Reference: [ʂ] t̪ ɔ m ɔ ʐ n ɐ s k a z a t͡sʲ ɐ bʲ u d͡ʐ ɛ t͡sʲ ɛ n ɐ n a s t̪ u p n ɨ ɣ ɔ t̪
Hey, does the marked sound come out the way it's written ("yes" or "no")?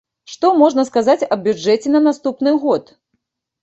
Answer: yes